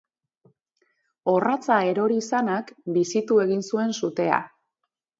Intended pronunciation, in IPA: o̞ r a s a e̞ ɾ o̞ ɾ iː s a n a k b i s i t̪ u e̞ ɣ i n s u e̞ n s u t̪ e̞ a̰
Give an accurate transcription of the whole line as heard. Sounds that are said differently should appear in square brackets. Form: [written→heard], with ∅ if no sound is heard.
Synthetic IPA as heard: o̞ r a [s→t͡s] a e̞ ɾ o̞ ɾ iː s a n a k b i s i t̪ u e̞ ɣ i n s u e̞ n s u t̪ e̞ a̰